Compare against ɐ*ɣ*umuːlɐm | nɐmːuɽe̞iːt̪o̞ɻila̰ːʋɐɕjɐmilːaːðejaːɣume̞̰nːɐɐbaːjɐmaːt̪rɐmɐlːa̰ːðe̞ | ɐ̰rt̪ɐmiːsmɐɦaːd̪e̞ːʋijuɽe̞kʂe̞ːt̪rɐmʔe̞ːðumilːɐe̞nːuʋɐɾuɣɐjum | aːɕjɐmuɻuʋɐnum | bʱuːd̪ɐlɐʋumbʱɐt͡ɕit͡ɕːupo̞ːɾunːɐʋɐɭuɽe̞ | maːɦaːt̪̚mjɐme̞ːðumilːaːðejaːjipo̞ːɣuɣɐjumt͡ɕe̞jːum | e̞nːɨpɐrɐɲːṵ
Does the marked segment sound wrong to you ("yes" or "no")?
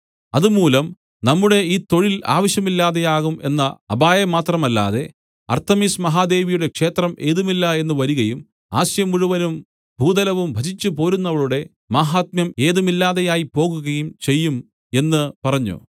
yes